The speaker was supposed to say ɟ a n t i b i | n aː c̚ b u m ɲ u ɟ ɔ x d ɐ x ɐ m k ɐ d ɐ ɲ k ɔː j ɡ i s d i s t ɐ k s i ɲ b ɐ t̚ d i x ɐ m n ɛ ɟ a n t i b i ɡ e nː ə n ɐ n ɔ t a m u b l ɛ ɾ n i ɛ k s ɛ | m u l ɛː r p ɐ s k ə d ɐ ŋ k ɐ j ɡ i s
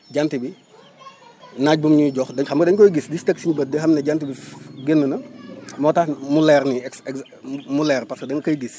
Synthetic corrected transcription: ɟ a n t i b i | n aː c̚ b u m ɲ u ɟ ɔ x d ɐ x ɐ m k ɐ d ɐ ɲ k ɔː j ɡ i s d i s t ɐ k s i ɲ b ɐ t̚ d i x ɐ m n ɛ ɟ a n t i b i ɡ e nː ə n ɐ m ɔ t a m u l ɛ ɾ n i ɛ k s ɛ | m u l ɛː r p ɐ s k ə d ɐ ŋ k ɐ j ɡ i s